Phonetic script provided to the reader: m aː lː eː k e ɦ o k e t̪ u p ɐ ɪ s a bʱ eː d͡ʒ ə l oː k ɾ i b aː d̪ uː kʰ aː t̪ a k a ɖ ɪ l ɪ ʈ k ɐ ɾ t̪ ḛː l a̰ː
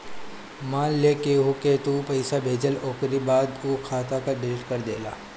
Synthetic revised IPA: m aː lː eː k e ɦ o k e t̪ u p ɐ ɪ s a bʱ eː d͡ʒ ə l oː k ɾ i b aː d̪ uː kʰ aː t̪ a k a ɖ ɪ l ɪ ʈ k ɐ ɾ d̪ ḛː l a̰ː